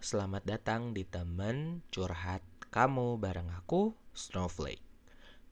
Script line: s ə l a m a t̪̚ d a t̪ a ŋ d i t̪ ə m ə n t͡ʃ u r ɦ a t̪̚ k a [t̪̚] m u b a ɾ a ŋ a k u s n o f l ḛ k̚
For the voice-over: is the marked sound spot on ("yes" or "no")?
no